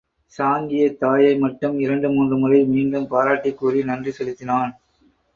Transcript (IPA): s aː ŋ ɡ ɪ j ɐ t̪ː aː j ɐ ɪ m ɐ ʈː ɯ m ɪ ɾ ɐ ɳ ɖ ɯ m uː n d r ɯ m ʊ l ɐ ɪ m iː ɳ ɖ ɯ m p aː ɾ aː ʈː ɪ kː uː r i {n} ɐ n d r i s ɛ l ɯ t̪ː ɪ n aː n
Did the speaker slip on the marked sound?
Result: no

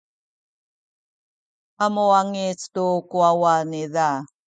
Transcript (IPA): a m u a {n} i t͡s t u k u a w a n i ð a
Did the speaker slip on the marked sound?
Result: yes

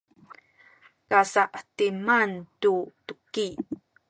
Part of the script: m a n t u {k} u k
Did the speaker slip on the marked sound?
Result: yes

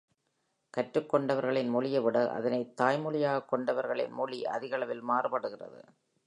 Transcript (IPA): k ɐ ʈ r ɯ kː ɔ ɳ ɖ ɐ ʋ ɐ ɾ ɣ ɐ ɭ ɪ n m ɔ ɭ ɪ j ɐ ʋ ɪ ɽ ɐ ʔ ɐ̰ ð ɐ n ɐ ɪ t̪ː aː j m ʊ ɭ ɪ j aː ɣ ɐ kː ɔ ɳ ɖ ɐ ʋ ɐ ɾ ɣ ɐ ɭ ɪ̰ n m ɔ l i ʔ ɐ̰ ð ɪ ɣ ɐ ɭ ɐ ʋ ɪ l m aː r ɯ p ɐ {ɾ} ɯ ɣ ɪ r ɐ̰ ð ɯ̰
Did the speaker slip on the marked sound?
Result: yes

